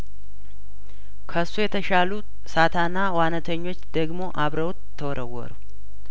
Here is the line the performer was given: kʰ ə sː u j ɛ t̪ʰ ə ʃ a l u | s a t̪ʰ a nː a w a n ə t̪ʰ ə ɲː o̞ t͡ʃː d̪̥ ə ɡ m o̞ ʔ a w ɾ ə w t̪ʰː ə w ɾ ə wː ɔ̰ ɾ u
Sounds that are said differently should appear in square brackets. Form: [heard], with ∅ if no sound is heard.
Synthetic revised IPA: kʰ ə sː u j ɛ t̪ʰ ə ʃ a l u | s a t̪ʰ a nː a w a n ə t̪ʰ ə ɲː o̞ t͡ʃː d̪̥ ə ɡ m o̞ ʔ a [β] ɾ ə w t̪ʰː ə w ɾ ə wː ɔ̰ ɾ u